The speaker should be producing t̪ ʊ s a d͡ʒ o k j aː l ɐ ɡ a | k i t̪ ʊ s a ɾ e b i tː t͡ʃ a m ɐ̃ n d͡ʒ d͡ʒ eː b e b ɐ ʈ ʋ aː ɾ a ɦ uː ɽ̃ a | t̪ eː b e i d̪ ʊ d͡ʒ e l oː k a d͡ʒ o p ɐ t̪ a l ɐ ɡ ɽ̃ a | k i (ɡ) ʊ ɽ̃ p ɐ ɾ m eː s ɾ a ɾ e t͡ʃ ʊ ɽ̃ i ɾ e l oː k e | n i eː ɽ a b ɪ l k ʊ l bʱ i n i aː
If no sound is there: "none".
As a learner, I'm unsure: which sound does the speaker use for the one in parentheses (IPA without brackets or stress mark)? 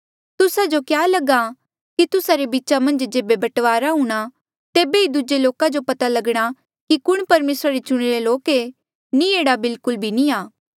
k